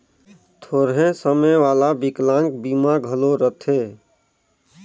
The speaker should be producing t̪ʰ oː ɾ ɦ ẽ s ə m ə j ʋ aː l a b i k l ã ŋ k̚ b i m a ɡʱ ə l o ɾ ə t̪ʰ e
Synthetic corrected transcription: t̪ʰ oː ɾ ɦ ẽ s ə m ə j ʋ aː l a b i k l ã ŋ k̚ b i m a ɡʱ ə l o ɾ ə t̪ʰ e